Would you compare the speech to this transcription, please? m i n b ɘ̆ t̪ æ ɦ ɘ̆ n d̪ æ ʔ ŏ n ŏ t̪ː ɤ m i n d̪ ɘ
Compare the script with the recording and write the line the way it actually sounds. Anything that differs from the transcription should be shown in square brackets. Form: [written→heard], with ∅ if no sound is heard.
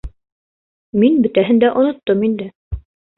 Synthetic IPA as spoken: m i n b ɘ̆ t̪ æ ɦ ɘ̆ n d̪ æ ʔ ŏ n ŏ t̪ː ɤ m i n d̪ ɘ